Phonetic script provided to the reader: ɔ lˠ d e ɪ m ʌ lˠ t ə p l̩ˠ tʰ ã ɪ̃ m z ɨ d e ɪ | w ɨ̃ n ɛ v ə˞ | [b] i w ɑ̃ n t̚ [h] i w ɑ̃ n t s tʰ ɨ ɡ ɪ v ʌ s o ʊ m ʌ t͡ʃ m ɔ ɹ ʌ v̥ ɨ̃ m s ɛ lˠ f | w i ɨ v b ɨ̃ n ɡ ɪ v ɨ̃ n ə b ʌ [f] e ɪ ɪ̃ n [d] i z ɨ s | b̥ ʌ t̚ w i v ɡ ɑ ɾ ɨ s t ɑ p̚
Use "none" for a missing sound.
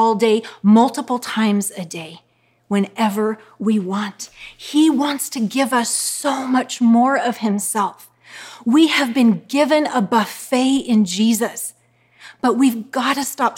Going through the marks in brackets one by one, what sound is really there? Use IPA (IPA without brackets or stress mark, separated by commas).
w, h, f, d͡ʒ